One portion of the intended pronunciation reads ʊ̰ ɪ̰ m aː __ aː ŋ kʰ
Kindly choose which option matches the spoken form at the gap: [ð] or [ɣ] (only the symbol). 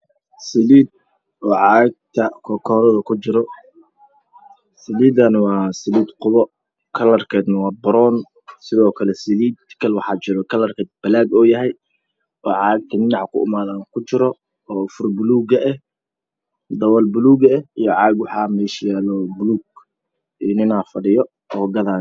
ð